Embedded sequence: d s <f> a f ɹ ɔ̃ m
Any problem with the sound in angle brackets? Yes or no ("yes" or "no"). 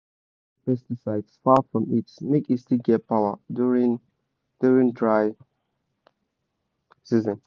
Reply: no